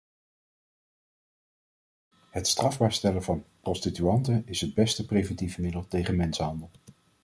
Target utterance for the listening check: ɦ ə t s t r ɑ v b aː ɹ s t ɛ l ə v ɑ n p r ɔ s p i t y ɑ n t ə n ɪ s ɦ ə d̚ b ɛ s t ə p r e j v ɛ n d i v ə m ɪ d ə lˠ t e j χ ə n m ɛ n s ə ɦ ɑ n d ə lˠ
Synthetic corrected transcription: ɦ ə t s t r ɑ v b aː ɹ s t ɛ l ə v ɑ n p r ɔ s t i t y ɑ n t ə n ɪ s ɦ ə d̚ b ɛ s t ə p r e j v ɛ n t i v ə m ɪ d ə lˠ t e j χ ə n m ɛ n s ə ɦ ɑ n d ə lˠ